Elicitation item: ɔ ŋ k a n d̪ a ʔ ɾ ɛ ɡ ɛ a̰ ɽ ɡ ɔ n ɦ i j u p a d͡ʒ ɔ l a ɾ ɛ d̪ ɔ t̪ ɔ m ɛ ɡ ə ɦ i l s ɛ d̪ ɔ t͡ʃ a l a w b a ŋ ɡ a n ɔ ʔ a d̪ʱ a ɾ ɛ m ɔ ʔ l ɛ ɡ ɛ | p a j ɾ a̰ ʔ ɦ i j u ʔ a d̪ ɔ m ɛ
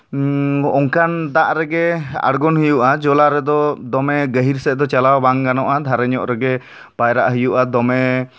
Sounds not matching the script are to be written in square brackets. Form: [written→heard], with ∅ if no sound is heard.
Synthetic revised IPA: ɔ ŋ k a n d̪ a ʔ ɾ ɛ ɡ ɛ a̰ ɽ ɡ ɔ n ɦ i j u [p→ʔ] a d͡ʒ ɔ l a ɾ ɛ d̪ ɔ [t̪→d̪] ɔ m ɛ ɡ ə ɦ i [l→ɾ] s ɛ d̪ ɔ t͡ʃ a l a w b a ŋ ɡ a n ɔ ʔ a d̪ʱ a ɾ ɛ [m→ɲ] ɔ ʔ [l→ɾ] ɛ ɡ ɛ | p a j ɾ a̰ ʔ ɦ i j u ʔ a d̪ ɔ m ɛ